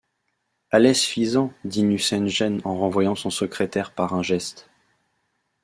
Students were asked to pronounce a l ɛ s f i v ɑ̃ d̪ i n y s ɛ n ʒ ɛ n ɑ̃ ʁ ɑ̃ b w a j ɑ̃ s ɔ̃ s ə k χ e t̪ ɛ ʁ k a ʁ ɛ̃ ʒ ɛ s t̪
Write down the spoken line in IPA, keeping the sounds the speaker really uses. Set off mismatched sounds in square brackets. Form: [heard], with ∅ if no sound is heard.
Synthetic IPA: a l ɛ s f i [z] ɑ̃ d̪ i n y s ɛ n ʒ ɛ n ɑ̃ ʁ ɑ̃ [v] w a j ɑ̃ s ɔ̃ s ə k χ e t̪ ɛ ʁ [p] a ʁ ɛ̃ ʒ ɛ s t̪